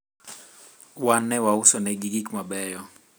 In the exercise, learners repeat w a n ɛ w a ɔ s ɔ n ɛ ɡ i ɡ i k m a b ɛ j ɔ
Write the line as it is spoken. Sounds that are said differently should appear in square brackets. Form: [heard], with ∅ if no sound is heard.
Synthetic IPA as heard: w a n ɛ w a [u] s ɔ n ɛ ɡ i ɡ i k m a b ɛ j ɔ